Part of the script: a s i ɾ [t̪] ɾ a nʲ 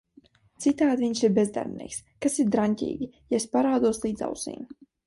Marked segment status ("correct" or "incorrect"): incorrect